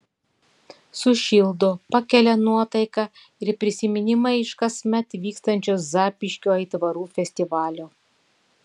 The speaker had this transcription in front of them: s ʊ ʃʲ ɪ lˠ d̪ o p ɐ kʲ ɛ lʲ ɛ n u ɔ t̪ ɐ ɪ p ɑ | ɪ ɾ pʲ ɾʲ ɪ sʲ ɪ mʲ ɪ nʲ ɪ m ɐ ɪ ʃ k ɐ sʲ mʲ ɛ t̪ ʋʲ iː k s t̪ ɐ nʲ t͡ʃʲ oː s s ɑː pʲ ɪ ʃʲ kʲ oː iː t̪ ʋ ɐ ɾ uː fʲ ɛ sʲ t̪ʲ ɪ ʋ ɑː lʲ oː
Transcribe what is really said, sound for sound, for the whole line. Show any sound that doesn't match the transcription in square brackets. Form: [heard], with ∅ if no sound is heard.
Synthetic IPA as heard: s ʊ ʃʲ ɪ lˠ d̪ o p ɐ kʲ ɛ lʲ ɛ n u ɔ t̪ ɐ ɪ [k] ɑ | ɪ ɾ pʲ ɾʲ ɪ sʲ ɪ mʲ ɪ nʲ ɪ m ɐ ɪ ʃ k ɐ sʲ mʲ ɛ t̪ ʋʲ iː k s t̪ ɐ nʲ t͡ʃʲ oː s [z] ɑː pʲ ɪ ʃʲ kʲ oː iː t̪ ʋ ɐ ɾ uː fʲ ɛ sʲ t̪ʲ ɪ ʋ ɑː lʲ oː